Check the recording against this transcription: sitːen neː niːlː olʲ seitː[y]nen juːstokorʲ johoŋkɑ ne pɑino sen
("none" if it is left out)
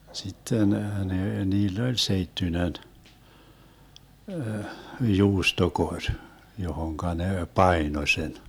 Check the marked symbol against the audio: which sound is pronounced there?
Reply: y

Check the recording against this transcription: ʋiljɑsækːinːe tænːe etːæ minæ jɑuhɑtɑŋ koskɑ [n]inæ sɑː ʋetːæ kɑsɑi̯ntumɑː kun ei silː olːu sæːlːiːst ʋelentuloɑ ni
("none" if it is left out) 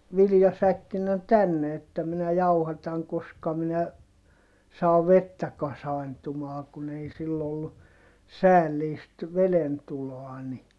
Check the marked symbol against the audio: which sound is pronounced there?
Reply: m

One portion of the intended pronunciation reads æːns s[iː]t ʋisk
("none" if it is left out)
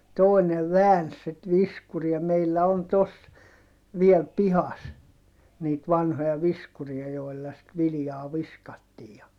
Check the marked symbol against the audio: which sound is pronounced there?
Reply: i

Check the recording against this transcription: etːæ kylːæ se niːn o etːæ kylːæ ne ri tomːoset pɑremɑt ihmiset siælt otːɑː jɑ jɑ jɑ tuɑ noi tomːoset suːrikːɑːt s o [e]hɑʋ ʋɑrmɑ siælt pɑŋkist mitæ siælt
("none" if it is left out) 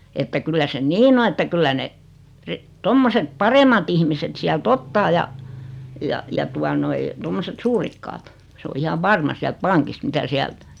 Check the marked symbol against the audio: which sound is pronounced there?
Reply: i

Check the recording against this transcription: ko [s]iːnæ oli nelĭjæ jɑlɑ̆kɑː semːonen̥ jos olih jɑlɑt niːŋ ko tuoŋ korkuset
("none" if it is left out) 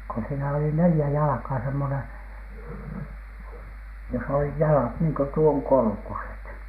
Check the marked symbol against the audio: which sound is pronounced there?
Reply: s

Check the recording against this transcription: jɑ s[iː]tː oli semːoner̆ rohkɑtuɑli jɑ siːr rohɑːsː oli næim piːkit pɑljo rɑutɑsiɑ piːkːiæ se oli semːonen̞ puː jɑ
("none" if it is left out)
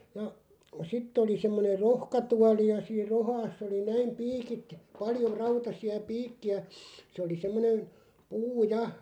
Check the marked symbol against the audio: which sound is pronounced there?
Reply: i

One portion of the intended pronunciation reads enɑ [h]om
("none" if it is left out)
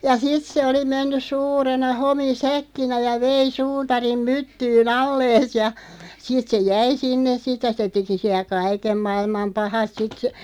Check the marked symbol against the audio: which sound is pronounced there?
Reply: h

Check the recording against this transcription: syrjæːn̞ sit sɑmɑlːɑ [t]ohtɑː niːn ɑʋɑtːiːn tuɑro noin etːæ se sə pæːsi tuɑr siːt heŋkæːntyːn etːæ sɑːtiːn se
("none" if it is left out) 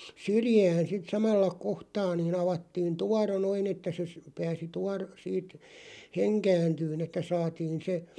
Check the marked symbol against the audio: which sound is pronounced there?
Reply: k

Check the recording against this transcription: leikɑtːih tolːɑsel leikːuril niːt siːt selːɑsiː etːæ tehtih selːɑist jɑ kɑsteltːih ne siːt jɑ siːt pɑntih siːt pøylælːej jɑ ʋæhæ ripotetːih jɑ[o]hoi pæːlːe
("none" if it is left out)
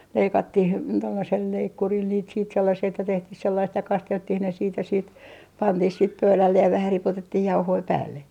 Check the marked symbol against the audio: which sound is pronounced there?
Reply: u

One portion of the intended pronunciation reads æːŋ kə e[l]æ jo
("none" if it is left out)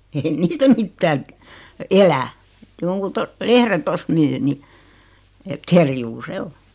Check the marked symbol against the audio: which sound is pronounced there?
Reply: l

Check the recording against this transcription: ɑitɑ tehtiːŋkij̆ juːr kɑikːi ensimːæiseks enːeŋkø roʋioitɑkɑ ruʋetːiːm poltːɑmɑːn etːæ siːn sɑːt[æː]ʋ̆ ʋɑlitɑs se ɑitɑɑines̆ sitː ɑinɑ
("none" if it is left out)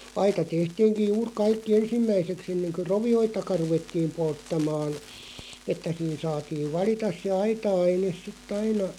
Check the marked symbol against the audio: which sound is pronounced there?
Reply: iː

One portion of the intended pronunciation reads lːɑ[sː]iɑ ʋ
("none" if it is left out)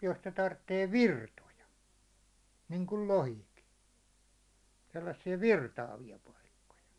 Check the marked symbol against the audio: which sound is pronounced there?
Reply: sː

